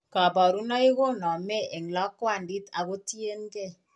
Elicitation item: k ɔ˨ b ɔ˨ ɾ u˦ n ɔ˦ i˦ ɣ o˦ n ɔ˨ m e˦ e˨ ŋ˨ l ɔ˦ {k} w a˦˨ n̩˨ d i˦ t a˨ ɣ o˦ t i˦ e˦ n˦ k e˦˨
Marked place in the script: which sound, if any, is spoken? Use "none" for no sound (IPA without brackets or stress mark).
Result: k